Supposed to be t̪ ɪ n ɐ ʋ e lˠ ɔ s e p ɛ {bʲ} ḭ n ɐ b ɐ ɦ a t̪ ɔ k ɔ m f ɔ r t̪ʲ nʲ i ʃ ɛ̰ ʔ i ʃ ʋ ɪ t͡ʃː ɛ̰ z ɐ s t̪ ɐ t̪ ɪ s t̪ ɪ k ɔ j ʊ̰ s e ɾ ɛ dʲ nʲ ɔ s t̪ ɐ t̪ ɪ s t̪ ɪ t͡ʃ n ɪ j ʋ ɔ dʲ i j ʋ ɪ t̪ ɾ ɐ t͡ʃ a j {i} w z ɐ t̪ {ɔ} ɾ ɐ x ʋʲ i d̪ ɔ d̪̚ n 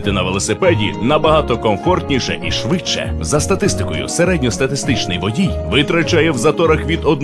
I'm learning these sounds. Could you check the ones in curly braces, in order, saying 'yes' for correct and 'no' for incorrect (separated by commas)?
no, no, yes